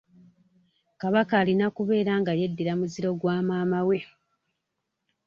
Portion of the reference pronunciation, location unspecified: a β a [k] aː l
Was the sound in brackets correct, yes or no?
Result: yes